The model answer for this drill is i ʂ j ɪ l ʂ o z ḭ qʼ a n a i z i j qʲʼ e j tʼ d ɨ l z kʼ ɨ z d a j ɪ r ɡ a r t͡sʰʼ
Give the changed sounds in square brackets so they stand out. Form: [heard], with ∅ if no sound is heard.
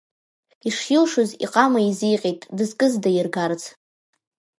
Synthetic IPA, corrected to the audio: i ʂ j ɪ l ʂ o z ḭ qʼ a [m] a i z i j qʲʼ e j tʼ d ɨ [∅] z kʼ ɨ z d a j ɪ r ɡ a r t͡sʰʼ

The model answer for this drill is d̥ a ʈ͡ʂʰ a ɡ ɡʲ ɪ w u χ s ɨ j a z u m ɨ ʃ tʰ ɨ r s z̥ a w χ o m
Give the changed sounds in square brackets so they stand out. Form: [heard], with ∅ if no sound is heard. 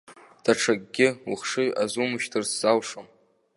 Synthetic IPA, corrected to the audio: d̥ a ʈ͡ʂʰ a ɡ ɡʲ ɪ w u χ [ʂ] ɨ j a z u m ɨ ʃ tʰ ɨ r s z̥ a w [ʂ] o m

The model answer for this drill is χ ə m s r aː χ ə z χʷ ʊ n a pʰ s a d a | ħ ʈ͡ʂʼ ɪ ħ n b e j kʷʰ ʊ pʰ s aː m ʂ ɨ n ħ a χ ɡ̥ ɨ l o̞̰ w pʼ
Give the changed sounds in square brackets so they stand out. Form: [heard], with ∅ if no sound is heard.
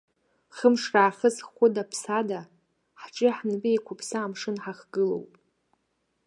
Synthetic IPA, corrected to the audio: χ ə m [ʂ] r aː χ ə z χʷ ʊ [d] a pʰ s a d a | ħ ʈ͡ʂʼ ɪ ħ n b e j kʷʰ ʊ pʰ s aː m ʂ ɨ n ħ a χ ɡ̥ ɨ l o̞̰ w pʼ

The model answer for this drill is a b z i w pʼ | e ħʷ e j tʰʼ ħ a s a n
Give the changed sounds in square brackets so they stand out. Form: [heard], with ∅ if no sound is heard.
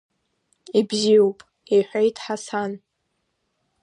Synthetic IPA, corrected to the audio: [i] b z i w pʼ | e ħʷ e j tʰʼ ħ a s a n

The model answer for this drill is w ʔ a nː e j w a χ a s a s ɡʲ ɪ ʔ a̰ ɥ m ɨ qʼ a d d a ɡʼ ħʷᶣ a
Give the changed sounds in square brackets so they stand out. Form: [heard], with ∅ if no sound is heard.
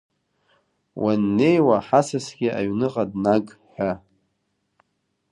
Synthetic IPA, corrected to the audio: w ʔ a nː e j w a [ħ] a s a s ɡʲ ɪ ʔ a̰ ɥ [n] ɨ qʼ a d [n] a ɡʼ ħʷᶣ a

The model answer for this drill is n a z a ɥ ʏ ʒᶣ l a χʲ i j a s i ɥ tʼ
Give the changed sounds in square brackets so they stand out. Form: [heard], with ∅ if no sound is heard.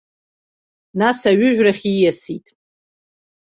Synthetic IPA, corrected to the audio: n a [s] a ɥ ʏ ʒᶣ [r] a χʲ i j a s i [∅] tʼ

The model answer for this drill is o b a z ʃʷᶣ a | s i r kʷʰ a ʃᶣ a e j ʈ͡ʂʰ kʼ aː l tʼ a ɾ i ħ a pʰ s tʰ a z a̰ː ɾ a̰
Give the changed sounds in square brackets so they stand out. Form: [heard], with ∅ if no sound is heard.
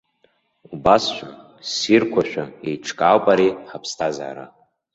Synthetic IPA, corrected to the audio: [u] b a [s] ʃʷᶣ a | s i r kʷʰ a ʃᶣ a e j ʈ͡ʂʰ kʼ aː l [pʼ] a ɾ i ħ a pʰ s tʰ a z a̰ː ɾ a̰

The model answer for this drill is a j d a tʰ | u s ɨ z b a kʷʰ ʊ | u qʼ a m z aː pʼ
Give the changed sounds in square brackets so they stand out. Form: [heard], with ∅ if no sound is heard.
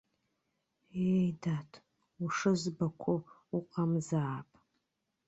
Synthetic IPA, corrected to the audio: [e] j d a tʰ | u [ʂ] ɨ z b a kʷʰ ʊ | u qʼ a m z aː pʼ

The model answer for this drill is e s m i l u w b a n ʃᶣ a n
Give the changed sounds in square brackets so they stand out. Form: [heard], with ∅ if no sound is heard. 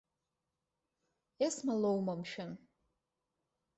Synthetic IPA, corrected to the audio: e s m [a] l [o] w [m] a [m] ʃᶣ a n

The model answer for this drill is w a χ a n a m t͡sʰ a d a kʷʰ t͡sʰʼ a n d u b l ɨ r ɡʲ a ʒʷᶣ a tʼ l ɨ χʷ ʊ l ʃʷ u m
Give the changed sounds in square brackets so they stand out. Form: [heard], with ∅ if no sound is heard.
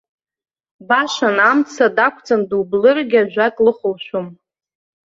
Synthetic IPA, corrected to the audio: [b] a [ʃ] a n a m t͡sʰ a d a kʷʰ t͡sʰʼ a n d u b l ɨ r ɡʲ a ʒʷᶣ a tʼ l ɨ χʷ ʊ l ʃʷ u m

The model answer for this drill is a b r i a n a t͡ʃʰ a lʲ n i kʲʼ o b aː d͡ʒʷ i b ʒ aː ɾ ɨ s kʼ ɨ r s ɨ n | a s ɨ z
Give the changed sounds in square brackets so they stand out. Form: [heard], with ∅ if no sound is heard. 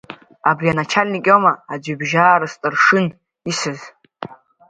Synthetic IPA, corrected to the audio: a b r i a n a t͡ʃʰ a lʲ n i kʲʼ o [m] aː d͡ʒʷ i b ʒ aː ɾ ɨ s [tʼ] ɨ r [ʂ] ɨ n | [i] s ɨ z

